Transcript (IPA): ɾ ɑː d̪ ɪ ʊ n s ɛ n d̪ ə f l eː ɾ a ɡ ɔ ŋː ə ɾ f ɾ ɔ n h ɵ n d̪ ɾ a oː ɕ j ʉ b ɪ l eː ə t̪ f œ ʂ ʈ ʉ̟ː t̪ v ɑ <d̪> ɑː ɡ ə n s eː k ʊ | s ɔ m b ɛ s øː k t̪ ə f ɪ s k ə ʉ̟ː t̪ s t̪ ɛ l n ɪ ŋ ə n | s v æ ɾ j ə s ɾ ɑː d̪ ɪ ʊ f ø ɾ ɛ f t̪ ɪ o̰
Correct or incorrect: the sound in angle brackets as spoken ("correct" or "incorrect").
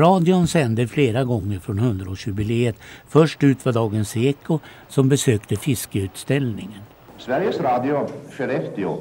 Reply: correct